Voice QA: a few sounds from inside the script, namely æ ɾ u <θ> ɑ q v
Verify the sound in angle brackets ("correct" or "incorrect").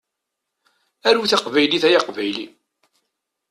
correct